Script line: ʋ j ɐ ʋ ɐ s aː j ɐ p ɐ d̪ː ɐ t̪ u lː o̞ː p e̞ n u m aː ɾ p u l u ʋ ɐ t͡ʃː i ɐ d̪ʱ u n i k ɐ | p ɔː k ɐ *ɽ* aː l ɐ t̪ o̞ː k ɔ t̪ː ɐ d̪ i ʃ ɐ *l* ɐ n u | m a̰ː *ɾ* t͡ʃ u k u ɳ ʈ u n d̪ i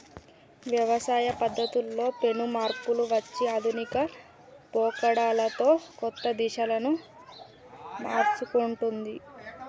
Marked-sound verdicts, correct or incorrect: correct, correct, correct

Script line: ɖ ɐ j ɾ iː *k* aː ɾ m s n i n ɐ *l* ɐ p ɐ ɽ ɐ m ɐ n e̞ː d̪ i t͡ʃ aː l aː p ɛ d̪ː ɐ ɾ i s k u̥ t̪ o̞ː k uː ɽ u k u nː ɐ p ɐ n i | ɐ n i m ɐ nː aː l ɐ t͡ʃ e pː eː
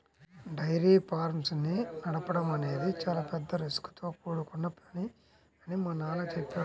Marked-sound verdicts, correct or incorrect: incorrect, incorrect

